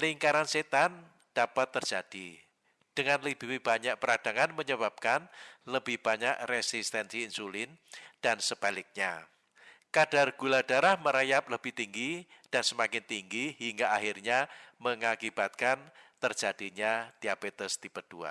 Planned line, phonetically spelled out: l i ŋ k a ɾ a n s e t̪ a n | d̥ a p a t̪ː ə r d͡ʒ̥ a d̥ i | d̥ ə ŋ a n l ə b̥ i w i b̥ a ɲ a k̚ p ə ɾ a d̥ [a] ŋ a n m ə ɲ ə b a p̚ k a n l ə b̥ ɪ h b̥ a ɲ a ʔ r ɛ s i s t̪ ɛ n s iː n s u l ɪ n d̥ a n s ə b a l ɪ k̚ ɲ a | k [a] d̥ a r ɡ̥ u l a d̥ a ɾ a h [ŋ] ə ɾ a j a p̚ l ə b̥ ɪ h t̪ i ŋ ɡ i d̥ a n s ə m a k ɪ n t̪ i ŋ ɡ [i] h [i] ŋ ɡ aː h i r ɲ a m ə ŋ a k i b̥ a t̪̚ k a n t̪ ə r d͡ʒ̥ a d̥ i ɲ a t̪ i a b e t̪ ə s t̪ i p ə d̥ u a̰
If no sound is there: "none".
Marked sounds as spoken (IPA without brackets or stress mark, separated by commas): a, a, m, i, i